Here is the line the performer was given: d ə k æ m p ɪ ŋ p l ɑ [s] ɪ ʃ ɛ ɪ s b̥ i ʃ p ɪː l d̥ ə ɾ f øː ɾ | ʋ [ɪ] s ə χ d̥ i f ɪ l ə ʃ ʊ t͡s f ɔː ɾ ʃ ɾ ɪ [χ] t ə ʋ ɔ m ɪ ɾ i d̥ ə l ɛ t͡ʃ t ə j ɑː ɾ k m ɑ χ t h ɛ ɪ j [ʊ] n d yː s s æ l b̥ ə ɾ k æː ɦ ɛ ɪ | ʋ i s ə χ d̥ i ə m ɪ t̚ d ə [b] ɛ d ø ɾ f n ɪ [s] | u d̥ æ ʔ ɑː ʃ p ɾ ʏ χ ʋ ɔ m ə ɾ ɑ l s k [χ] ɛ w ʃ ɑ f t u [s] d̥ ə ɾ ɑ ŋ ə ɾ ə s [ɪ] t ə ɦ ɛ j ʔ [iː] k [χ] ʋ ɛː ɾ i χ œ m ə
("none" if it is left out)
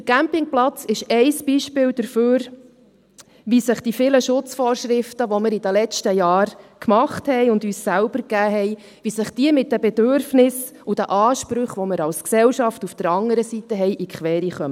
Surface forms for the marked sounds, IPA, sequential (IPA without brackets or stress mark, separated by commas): t͡s, i, f, ʊ, b, s, s, f, i, i, χ